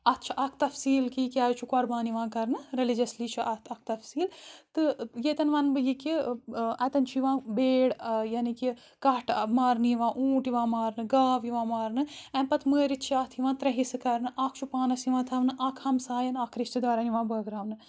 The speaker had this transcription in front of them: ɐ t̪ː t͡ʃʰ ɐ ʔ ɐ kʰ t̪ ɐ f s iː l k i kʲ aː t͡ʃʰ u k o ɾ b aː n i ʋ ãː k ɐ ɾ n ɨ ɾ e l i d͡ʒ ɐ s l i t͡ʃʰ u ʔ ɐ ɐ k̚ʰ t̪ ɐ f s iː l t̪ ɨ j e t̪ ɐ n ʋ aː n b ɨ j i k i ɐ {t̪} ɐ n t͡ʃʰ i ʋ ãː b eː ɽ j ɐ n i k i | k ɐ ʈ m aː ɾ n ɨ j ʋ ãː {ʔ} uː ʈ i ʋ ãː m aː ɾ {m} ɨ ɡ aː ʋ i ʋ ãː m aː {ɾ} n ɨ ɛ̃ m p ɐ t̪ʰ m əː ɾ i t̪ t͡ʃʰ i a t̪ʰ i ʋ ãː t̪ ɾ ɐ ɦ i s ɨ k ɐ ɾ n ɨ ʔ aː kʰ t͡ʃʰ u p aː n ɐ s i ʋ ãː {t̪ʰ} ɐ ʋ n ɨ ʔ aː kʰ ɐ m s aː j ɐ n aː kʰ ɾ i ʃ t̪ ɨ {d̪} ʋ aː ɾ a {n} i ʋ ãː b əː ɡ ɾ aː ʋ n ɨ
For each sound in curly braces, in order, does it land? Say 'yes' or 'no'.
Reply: yes, yes, no, yes, yes, yes, yes

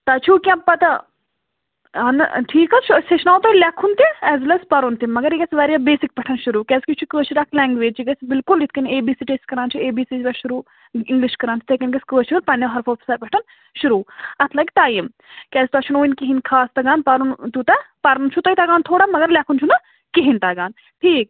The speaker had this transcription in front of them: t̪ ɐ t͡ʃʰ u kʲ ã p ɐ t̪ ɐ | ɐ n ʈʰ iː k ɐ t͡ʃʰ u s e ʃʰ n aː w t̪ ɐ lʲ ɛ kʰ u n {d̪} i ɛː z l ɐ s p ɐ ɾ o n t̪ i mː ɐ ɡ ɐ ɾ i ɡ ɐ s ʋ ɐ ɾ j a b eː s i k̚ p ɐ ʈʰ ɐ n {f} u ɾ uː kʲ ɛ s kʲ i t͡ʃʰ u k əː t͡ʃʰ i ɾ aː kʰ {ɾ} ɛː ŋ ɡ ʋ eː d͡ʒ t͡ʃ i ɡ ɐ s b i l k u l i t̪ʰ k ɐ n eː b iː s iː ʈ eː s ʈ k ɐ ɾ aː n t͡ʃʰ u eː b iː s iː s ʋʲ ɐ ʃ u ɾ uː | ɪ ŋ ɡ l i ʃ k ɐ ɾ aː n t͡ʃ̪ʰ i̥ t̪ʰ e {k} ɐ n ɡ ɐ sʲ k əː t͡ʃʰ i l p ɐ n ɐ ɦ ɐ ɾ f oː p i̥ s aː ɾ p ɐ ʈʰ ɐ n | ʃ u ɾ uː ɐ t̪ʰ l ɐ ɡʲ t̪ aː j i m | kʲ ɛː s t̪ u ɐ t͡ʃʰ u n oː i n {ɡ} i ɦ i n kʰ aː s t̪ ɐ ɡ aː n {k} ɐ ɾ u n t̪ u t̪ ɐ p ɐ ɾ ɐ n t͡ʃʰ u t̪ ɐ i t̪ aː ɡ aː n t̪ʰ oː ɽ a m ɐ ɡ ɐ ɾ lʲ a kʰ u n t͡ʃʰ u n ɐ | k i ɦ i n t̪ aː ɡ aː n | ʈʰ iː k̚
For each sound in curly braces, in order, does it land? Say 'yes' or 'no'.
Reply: no, no, no, yes, no, no

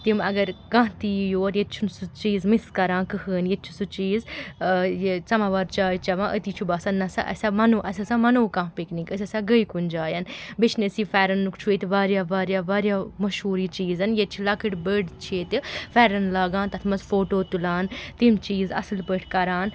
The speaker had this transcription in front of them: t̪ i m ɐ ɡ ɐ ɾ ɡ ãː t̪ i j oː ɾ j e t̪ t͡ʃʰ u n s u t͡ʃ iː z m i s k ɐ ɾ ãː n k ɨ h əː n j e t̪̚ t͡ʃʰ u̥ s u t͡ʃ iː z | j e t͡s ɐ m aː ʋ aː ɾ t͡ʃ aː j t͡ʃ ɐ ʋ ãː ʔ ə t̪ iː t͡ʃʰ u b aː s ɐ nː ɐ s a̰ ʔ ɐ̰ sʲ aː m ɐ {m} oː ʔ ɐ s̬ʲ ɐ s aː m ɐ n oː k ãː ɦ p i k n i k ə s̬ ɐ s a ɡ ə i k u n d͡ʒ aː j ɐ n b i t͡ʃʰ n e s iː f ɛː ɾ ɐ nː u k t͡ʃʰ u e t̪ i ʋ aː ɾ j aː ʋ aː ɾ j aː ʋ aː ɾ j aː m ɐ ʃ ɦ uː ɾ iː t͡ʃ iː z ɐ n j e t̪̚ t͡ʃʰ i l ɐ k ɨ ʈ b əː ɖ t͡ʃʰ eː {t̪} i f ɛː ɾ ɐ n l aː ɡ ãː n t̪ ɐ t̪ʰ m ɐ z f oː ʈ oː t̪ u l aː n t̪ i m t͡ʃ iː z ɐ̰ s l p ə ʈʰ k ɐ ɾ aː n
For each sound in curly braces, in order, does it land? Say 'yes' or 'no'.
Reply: no, yes

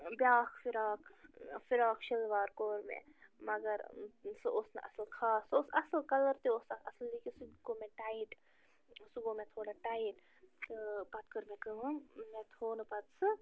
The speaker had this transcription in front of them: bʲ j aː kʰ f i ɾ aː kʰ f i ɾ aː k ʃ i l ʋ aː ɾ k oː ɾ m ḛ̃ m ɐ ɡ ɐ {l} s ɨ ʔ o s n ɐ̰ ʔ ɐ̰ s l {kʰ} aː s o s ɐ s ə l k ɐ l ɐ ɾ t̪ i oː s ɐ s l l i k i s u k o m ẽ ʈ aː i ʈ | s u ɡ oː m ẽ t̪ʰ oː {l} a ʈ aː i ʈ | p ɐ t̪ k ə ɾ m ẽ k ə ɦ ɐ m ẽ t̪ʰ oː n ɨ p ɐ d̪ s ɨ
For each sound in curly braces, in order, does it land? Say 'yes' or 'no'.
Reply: no, yes, no

